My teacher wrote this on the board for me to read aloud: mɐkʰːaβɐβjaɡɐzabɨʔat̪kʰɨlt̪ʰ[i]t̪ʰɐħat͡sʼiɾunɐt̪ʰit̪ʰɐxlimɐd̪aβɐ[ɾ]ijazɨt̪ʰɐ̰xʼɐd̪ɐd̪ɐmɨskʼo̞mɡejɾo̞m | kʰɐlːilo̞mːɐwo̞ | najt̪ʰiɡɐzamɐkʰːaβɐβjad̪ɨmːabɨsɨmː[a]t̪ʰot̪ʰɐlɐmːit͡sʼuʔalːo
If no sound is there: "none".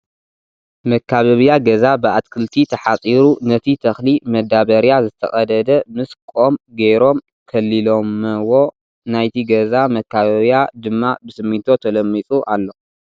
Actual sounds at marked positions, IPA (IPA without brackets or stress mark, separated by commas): i, ɾ, i